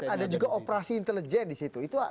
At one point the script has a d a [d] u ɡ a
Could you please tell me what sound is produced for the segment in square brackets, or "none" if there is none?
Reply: d͡ʒ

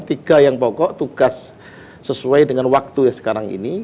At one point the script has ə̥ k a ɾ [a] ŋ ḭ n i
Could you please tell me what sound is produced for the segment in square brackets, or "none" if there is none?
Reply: a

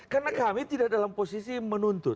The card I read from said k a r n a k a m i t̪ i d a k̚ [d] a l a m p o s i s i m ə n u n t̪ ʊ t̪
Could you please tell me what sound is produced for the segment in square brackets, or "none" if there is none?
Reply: d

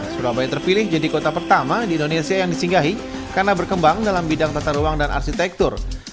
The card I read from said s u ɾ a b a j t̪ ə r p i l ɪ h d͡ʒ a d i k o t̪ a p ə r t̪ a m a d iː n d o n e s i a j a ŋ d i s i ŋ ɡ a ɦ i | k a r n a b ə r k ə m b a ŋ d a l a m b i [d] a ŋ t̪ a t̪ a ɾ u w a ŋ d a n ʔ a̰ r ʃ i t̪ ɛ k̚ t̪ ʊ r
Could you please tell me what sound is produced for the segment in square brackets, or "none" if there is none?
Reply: d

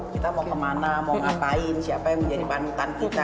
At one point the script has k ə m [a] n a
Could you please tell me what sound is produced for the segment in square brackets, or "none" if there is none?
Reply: a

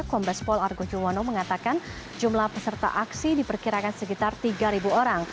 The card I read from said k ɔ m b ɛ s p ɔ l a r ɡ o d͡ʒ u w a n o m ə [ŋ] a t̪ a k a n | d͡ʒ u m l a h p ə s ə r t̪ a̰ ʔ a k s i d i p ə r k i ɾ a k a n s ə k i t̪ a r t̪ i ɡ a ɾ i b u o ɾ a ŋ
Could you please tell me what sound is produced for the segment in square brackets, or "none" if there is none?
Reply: ŋ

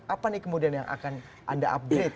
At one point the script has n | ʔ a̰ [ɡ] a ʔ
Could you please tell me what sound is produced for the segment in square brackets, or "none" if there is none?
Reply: d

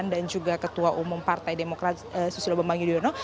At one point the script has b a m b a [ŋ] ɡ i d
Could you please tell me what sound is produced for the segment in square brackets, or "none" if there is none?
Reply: ŋ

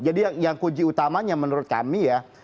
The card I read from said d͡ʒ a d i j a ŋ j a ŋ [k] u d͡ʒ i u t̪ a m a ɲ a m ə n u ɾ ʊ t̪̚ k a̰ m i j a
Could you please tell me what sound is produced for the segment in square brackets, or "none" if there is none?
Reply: k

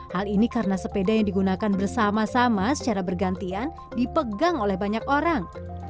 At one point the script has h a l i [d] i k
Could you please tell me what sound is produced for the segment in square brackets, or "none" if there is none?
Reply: n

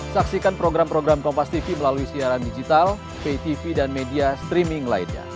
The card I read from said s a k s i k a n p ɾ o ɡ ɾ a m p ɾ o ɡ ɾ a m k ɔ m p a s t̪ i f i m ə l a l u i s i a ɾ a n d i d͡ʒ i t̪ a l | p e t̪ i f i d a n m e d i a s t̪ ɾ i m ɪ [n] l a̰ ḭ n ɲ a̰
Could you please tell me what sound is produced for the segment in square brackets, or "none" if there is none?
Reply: ŋ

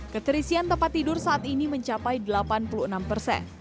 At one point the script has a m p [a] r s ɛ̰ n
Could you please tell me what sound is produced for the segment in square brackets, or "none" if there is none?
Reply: ə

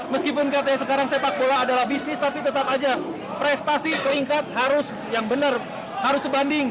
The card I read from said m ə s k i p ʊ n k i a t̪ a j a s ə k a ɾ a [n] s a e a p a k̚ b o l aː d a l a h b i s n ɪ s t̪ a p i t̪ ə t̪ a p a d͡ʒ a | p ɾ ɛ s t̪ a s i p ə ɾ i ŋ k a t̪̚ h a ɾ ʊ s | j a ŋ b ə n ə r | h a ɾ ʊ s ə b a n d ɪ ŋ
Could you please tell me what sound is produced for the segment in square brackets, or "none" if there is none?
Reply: ŋ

